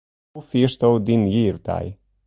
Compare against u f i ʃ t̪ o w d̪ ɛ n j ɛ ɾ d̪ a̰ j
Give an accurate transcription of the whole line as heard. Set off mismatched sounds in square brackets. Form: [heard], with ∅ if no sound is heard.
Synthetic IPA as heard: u f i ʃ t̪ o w d̪ [i] n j [i] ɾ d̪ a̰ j

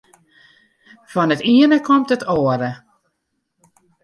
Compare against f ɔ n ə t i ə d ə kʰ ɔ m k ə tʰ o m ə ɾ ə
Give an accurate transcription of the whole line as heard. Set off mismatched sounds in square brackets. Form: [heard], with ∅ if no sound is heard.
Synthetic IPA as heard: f ɔ n ə t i ə [n] ə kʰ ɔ m [t] ə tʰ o [∅] ə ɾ ə

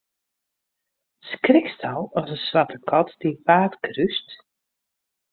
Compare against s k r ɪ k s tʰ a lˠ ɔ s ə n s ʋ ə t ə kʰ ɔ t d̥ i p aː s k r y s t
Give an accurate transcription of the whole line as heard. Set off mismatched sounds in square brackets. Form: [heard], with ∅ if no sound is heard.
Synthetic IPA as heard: s k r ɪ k s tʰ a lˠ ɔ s ə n s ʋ [a] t ə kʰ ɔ t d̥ i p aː [t] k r y s t

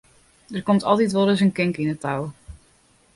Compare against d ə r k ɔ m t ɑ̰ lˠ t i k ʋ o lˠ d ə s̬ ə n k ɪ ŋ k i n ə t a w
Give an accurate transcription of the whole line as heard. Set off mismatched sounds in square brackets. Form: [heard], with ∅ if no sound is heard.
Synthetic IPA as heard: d ə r k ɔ m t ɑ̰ lˠ t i [t] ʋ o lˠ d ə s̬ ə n k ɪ ŋ k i n ə t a w

